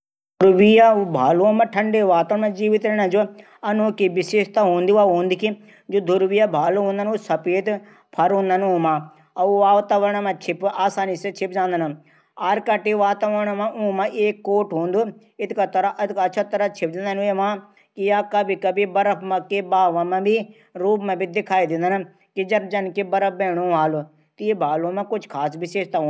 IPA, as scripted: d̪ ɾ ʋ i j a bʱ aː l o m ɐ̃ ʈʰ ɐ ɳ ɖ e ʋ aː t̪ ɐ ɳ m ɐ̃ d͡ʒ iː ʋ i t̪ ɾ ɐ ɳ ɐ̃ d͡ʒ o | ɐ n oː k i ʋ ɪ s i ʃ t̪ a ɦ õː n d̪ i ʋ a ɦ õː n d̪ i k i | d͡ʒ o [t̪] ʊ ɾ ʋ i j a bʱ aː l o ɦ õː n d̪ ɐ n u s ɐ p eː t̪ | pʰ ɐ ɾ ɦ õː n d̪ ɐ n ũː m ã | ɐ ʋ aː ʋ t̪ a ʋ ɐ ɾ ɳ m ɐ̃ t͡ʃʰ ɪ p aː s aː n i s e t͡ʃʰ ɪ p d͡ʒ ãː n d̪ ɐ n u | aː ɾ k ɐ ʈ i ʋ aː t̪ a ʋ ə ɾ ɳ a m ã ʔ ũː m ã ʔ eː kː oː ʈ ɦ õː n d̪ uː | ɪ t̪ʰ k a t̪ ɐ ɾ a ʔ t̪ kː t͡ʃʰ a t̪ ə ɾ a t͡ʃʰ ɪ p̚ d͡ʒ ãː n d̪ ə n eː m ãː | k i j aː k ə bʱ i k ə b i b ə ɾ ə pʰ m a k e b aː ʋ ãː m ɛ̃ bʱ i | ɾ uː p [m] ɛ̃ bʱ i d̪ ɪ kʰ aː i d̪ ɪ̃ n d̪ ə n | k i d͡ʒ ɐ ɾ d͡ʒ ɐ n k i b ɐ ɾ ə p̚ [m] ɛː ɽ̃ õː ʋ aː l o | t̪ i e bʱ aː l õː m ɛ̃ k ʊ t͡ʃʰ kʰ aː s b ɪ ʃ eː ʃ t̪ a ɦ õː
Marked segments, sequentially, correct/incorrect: incorrect: d̪, correct, incorrect: b

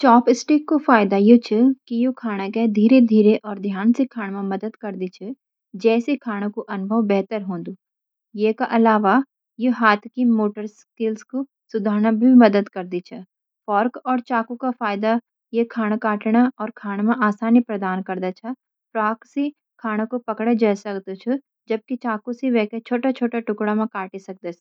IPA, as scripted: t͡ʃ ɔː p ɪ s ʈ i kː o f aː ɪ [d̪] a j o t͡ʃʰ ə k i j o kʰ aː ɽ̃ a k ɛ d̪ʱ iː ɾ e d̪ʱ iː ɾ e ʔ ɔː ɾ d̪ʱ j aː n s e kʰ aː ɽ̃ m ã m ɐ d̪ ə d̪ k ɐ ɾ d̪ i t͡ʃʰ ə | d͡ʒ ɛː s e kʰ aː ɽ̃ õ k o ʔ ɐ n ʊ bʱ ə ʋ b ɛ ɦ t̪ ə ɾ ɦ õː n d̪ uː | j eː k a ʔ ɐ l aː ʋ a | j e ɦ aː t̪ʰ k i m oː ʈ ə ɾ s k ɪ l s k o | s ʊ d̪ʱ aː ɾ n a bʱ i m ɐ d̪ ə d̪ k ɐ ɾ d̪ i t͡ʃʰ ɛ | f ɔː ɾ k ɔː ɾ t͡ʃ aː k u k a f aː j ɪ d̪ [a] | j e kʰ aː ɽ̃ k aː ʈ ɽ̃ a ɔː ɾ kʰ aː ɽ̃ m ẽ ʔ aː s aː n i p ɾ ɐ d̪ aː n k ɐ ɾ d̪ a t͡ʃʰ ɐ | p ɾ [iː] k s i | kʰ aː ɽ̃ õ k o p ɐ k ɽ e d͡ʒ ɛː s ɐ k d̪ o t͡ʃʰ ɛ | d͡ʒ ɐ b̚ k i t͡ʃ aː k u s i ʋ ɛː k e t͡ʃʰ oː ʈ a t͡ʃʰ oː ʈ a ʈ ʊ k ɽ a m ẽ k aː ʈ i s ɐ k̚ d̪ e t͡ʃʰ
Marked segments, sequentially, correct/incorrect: correct, correct, incorrect: aː

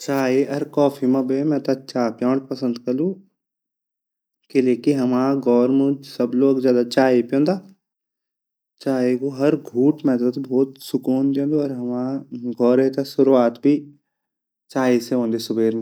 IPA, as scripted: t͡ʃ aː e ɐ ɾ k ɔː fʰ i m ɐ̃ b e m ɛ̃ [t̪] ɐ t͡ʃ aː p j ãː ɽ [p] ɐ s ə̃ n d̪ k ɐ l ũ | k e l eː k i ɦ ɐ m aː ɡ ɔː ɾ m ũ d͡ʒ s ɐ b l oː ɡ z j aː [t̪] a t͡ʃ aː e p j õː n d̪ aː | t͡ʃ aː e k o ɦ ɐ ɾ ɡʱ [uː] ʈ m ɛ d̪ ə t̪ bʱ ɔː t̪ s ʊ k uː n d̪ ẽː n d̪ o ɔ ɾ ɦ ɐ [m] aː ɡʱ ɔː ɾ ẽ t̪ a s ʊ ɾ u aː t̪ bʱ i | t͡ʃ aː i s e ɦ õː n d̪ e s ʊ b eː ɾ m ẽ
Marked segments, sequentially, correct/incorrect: correct, correct, incorrect: d̪, correct, correct

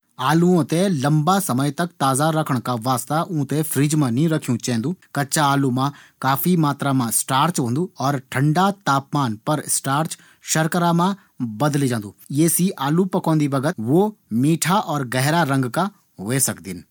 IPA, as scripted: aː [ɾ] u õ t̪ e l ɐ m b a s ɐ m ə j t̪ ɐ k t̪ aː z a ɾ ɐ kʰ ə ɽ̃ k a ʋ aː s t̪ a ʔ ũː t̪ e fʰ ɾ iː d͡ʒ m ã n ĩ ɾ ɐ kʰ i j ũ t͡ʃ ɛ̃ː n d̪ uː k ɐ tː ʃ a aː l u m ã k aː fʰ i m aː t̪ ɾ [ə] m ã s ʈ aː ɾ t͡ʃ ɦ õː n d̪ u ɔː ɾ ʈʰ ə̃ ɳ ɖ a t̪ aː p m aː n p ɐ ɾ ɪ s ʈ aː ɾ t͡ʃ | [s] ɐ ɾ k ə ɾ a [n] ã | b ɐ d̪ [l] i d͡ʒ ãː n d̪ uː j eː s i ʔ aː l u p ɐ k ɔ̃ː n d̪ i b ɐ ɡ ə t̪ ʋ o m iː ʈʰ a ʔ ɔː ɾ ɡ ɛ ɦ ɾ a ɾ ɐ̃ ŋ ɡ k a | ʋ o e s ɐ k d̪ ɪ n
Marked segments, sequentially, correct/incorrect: incorrect: l, incorrect: a, incorrect: ʃ, incorrect: m, correct

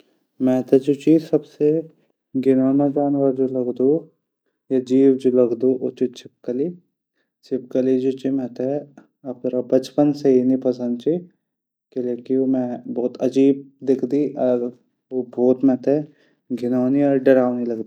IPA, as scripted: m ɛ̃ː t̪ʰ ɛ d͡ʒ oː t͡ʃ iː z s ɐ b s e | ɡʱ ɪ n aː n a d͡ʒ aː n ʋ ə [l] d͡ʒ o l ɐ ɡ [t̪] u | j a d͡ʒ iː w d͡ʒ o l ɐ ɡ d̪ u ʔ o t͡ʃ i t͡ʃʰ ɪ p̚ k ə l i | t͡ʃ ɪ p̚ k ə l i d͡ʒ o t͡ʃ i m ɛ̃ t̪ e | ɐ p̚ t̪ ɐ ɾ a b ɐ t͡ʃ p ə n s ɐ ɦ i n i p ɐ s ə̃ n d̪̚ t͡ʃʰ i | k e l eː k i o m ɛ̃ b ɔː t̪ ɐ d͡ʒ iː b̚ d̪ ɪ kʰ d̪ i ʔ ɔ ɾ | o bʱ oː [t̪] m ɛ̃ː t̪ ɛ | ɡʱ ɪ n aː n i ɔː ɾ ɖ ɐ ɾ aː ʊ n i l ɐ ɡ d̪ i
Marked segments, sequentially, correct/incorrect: incorrect: ɾ, incorrect: d̪, correct

